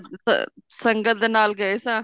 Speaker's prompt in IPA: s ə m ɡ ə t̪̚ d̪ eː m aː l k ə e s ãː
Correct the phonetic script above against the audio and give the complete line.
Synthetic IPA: s ə ŋ ɡ ə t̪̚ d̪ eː n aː l ɡ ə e s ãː